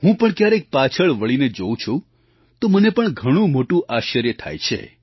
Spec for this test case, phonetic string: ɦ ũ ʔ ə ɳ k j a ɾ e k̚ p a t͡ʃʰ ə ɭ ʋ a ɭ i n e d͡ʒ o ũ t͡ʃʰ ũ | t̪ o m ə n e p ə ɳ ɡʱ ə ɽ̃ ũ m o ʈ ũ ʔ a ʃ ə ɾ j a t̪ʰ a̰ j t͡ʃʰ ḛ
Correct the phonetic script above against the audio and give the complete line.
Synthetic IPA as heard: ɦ ũ p ə ɳ k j a ɾ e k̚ p a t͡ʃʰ ə ɭ ʋ ə ɭ i n e d͡ʒ o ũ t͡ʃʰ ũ | t̪ o m ə n e p ə ɳ ɡʱ ə ɽ̃ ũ m o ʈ ũ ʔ a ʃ ə ɾ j ə t̪ʰ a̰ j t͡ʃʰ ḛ